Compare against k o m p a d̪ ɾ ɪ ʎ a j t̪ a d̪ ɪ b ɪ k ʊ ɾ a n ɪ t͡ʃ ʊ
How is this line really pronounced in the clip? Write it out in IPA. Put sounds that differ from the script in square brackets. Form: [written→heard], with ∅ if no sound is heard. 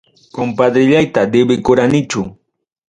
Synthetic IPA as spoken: k o m p a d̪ ɾ ɪ ʎ a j t̪ a d̪ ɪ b ɪ k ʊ ɾ a n ɪ t͡ʃ ʊ